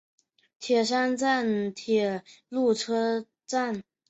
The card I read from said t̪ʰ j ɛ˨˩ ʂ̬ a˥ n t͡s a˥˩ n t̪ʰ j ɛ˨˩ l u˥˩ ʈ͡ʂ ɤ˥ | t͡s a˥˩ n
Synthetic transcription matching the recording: t̪ʰ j ɛ˨˩ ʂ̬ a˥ n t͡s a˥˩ n t̪ʰ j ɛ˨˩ l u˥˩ ʈ͡ʂʰ ɤ˥ | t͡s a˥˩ n